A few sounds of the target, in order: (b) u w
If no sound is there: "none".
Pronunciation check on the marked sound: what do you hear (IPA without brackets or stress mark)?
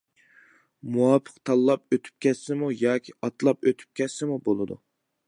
m